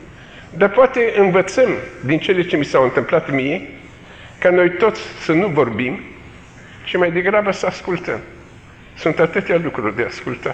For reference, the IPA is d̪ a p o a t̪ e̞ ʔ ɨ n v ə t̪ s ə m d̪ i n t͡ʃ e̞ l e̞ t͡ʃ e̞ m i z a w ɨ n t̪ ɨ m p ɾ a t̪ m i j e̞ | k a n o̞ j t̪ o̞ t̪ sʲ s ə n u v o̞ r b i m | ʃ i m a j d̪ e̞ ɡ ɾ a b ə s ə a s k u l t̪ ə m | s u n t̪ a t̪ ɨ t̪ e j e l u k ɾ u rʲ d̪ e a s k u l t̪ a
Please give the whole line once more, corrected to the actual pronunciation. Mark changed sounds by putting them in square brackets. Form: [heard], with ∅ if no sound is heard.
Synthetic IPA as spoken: d̪ a p o a t̪ e̞ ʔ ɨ n v ə t̪ s ə m d̪ i n t͡ʃ e̞ l e̞ t͡ʃ e̞ m i [s] a w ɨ n t̪ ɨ m p [l] a t̪ m i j e̞ | k a n o̞ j t̪ o̞ t̪ sʲ s ə n u v o̞ r b i m | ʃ i m a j d̪ e̞ ɡ ɾ a b ə s ə a s k u l t̪ ə m | s u n t̪ a t̪ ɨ t̪ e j [a] l u k ɾ u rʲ d̪ e a s k u l t̪ a